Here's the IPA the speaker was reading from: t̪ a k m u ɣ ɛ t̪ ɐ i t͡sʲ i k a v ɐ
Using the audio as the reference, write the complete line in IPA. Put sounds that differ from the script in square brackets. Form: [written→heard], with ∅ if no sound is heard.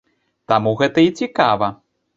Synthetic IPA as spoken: t̪ a [k→∅] m u ɣ ɛ t̪ ɐ i t͡sʲ i k a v ɐ